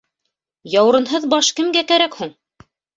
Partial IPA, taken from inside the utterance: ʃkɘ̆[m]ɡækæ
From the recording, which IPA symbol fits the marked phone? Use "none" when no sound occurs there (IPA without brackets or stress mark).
m